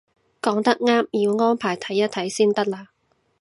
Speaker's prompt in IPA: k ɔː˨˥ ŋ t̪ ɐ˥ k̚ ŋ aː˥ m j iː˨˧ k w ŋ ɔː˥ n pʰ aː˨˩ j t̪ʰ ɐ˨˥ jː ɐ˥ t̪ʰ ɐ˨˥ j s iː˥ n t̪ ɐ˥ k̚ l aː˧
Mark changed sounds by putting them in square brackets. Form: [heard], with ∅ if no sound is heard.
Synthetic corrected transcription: k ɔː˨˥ ŋ t̪ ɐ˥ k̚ ŋ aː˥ m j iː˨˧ [∅] w ŋ ɔː˥ n pʰ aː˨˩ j t̪ʰ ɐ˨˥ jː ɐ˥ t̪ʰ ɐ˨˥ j s iː˥ n t̪ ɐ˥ k̚ l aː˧

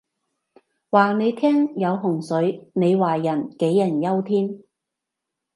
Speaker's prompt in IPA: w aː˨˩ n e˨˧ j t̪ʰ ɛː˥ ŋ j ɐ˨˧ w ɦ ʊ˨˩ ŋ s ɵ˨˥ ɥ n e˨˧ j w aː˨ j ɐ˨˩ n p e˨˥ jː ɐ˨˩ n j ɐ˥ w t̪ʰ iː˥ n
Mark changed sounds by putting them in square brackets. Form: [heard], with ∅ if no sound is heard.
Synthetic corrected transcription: w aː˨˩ n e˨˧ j t̪ʰ ɛː˥ ŋ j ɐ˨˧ w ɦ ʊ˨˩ ŋ s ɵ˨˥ ɥ n e˨˧ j w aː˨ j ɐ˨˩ n [k] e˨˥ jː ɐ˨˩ n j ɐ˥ w t̪ʰ iː˥ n

